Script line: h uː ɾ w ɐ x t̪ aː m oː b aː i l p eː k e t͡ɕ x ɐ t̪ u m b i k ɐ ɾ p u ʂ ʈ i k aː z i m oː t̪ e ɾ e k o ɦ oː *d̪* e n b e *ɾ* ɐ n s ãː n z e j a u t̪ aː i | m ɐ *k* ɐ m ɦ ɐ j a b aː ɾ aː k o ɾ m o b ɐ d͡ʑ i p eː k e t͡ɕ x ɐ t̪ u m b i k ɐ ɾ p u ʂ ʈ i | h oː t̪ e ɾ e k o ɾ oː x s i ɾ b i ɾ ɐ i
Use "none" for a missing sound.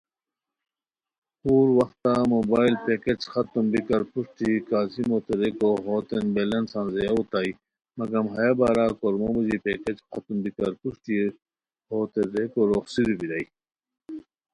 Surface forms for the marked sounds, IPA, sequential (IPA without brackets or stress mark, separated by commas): t̪, l, ɡ